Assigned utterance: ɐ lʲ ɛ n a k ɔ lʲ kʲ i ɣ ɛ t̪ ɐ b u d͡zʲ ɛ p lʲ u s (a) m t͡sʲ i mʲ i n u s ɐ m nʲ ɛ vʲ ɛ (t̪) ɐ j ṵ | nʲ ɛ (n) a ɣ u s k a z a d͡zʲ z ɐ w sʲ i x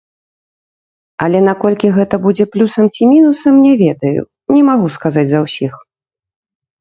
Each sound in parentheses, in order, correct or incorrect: incorrect: ɐ, incorrect: d̪, incorrect: m

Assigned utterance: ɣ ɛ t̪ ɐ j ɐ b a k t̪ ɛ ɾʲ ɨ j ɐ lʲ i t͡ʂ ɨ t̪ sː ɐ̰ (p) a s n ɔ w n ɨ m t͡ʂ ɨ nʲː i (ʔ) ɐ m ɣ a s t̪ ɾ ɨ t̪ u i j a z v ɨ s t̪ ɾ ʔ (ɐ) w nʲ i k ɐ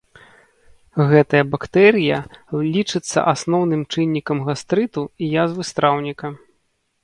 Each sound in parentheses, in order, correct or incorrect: incorrect: ʔ, incorrect: k, incorrect: a

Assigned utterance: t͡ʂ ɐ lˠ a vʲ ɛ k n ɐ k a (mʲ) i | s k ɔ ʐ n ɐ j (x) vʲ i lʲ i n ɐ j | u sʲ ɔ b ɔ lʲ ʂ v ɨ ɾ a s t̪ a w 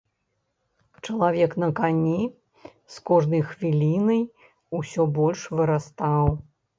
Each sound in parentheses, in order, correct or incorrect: incorrect: nʲ, correct

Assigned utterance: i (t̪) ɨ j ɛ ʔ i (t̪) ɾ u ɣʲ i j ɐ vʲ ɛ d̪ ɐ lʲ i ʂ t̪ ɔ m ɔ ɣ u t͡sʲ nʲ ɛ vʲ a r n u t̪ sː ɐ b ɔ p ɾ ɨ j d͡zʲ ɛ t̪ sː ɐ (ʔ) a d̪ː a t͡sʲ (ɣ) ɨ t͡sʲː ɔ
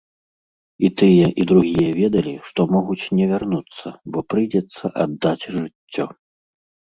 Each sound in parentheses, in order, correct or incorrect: correct, incorrect: d̪, correct, incorrect: ʐ

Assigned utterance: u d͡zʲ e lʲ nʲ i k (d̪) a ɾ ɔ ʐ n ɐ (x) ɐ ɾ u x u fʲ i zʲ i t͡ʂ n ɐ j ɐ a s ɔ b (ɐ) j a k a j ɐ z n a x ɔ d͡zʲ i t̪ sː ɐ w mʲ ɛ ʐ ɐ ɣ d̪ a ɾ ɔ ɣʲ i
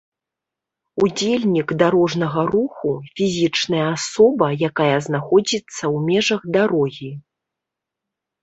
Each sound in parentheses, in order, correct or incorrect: correct, incorrect: ɣ, correct

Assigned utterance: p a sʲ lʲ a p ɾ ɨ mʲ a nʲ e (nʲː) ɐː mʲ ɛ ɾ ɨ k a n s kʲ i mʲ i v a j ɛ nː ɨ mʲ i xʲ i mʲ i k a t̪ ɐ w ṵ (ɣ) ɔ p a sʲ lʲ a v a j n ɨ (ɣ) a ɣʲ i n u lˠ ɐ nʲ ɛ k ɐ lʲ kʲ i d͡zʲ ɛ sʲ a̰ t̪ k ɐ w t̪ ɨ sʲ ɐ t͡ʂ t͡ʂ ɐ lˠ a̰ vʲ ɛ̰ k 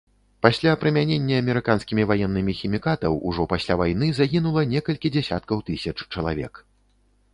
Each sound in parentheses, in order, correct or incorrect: correct, incorrect: ʐ, incorrect: z

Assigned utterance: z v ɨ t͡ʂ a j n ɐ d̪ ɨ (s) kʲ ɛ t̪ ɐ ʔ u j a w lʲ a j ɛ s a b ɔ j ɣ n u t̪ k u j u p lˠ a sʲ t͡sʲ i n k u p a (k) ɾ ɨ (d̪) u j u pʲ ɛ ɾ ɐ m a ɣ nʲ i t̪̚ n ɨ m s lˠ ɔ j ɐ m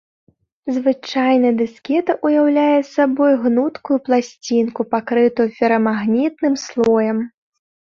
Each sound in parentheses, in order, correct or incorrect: correct, correct, incorrect: t̪

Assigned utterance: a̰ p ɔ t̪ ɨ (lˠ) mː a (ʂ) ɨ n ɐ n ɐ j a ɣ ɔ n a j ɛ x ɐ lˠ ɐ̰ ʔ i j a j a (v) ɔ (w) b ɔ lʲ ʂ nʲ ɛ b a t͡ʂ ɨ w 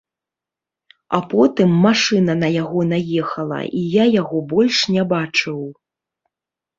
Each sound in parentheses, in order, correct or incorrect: incorrect: none, correct, incorrect: ɣ, incorrect: none

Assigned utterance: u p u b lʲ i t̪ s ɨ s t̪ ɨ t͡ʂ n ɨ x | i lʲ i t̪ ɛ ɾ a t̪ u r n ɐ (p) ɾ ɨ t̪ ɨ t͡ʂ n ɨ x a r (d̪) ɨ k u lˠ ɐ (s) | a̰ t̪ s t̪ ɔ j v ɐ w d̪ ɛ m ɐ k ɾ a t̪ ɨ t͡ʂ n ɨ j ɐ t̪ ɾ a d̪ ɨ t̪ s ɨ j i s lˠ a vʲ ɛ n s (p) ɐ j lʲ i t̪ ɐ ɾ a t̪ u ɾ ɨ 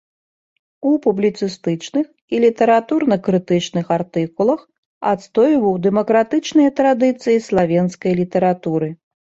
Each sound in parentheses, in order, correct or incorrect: incorrect: k, incorrect: t̪, incorrect: x, incorrect: k

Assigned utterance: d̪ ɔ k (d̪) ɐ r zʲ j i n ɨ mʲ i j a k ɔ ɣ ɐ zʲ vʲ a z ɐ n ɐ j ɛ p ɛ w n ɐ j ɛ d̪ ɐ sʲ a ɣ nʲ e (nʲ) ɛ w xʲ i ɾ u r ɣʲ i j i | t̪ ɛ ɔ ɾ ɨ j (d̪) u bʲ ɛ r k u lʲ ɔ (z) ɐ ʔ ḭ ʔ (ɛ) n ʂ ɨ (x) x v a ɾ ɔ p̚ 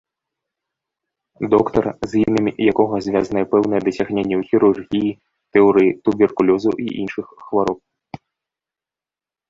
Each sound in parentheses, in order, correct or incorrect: incorrect: t̪, incorrect: nʲː, incorrect: t̪, correct, incorrect: i, correct

